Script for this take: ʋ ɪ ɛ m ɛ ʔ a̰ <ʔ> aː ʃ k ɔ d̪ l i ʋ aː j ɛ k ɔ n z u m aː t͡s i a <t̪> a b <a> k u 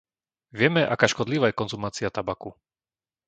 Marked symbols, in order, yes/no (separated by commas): no, yes, yes